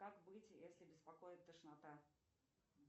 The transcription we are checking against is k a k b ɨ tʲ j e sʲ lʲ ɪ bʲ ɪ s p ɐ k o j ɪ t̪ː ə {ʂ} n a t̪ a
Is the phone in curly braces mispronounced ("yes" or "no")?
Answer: no